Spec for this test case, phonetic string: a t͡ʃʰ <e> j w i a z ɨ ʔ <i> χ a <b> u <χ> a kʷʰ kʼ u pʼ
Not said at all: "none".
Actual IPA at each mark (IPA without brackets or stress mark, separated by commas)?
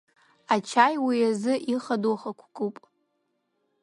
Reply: a, i, d, χ